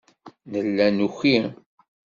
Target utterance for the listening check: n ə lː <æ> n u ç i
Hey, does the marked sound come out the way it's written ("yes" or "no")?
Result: yes